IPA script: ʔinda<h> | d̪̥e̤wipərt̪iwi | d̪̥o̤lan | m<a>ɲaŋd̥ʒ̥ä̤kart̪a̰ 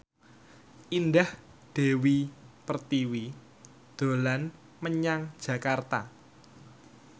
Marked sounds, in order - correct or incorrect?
correct, incorrect: ə

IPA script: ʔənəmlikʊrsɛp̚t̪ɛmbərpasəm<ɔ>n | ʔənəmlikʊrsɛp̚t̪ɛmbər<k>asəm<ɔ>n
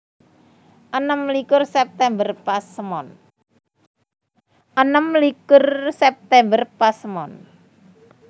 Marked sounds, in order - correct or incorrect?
correct, incorrect: p, correct

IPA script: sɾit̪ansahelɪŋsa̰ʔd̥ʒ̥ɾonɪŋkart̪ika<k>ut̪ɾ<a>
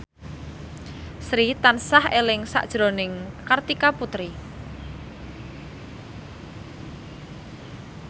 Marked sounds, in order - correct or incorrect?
incorrect: p, incorrect: i

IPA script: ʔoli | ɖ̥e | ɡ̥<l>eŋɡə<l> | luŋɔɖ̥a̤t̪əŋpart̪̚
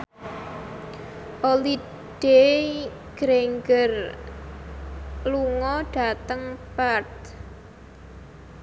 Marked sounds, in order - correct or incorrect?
incorrect: ɾ, incorrect: r

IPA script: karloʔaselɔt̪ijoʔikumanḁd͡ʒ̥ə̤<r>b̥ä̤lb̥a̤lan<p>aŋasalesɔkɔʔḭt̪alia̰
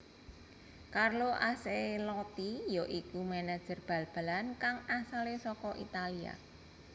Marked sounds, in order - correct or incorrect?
correct, incorrect: k

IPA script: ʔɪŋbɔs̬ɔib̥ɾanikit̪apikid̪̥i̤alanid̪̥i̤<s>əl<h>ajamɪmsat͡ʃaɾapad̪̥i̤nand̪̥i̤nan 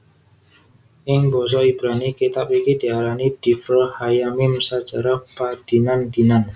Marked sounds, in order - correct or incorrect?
incorrect: f, correct

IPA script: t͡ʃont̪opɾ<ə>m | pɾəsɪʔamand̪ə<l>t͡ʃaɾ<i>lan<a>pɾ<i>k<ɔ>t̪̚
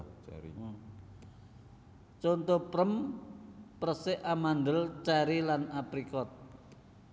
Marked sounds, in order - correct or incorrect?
correct, correct, correct, correct, correct, correct

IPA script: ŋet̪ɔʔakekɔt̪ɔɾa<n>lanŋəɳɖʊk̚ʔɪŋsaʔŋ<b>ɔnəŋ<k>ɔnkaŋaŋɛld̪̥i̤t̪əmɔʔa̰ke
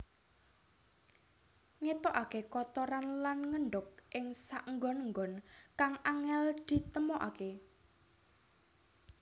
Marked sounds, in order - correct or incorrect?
correct, incorrect: ɡ, incorrect: ɡ

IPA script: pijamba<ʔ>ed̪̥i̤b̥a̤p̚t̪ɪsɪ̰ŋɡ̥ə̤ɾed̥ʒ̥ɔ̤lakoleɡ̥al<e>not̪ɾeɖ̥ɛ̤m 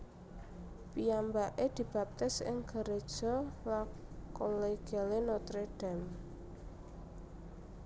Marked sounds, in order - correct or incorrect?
correct, correct

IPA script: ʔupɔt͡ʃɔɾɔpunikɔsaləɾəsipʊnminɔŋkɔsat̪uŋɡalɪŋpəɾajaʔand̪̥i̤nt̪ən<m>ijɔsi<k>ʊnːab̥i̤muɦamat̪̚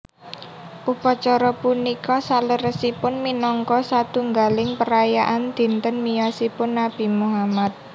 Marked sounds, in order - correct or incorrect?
correct, incorrect: p

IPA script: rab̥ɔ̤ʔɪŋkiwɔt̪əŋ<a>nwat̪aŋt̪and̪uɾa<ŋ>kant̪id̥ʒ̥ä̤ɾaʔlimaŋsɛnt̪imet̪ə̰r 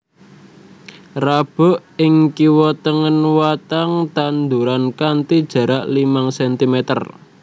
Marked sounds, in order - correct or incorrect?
incorrect: ə, incorrect: n

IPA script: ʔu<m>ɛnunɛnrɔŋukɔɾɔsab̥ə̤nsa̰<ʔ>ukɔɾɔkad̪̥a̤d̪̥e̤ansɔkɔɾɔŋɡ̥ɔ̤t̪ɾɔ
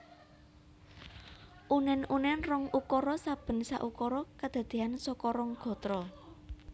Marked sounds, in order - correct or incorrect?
incorrect: n, correct

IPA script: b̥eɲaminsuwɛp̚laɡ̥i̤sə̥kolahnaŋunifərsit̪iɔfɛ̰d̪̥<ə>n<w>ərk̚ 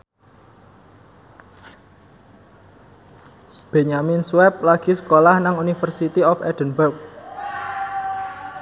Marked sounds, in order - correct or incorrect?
correct, incorrect: b

